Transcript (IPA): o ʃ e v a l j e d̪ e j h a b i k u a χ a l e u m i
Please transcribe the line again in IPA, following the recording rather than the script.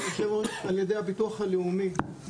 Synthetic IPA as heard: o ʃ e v a l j e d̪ e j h a b i t u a χ a l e u m i